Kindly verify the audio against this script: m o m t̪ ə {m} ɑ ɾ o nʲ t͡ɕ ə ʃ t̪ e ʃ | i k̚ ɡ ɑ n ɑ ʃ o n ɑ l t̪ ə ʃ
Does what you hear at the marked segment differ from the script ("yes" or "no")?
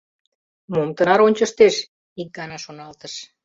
yes